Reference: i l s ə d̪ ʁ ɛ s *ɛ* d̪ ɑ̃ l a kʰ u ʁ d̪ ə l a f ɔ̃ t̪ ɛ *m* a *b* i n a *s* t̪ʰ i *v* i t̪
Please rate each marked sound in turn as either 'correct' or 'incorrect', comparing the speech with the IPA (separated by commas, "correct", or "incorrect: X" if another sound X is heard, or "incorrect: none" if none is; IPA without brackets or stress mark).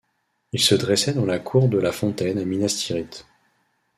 correct, incorrect: n, incorrect: m, correct, incorrect: ʁ